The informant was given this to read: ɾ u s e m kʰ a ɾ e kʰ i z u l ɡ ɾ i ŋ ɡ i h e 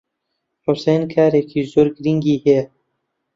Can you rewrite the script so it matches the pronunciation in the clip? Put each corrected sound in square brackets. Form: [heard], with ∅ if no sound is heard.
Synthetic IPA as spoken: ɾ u s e [n] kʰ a ɾ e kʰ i z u [ɾ] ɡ ɾ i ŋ ɡ i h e